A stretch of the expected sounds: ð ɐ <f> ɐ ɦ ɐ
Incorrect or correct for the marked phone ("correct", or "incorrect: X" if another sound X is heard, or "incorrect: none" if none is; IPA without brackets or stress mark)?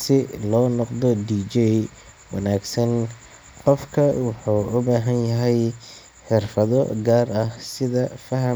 correct